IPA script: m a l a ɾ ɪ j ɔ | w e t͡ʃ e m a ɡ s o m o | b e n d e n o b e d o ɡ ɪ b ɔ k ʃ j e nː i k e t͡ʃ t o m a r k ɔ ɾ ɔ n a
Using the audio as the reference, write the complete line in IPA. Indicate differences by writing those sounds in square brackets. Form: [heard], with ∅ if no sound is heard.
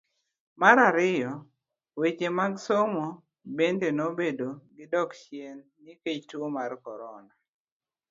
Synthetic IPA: m a [ɾ] a ɾ ɪ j ɔ | w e t͡ʃ e m a ɡ s o m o | b e n d e n o b e d o ɡ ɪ [d] ɔ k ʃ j e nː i k e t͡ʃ t o m a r k ɔ ɾ ɔ n a